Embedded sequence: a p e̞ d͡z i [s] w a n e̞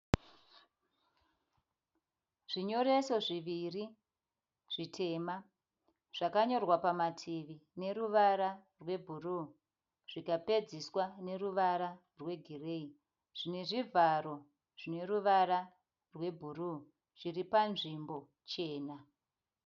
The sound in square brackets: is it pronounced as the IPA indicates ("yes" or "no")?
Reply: yes